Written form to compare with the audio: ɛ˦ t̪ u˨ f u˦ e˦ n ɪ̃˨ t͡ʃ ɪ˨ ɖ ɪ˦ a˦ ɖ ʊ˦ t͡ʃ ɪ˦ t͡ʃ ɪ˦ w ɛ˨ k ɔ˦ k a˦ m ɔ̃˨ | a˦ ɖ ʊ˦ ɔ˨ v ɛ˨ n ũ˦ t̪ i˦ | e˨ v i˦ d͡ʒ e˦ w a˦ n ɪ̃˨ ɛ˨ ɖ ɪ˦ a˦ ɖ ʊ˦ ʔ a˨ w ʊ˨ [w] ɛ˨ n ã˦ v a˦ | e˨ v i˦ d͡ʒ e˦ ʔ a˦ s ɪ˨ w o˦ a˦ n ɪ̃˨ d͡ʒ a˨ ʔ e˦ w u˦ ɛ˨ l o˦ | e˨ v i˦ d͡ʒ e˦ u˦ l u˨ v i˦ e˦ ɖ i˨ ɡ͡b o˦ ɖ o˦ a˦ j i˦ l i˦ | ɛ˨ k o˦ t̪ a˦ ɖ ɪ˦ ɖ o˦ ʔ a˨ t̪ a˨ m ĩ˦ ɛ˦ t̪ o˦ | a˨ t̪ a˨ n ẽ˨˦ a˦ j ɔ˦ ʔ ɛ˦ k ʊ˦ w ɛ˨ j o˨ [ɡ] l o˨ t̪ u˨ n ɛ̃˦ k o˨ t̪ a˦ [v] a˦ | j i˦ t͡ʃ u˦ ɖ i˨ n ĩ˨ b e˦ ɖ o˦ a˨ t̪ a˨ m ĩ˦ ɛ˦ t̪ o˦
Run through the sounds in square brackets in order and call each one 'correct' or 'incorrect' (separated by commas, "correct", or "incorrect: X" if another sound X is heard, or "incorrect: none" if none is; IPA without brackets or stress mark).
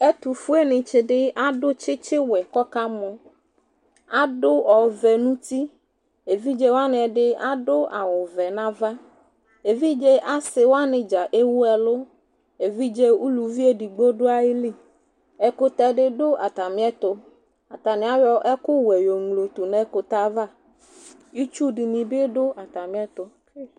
incorrect: v, incorrect: ŋ, correct